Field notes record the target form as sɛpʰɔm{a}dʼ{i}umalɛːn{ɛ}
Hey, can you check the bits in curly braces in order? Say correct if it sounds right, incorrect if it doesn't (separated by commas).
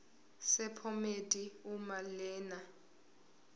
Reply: incorrect, correct, incorrect